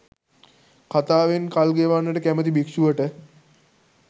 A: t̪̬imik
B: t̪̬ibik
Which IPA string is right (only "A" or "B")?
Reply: B